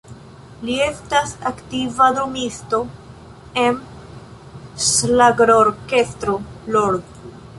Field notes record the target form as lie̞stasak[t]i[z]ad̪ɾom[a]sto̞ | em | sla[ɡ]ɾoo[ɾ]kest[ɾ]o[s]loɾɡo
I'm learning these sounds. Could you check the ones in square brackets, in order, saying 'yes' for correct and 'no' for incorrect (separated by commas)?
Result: yes, no, no, yes, yes, yes, no